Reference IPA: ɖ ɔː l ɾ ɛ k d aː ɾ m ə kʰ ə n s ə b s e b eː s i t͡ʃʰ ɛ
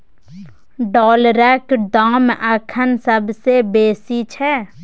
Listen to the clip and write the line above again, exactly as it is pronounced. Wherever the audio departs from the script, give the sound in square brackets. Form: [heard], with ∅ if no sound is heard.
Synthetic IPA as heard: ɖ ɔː l ɾ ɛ k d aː [∅] m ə kʰ ə n s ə b s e b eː s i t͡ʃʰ ɛ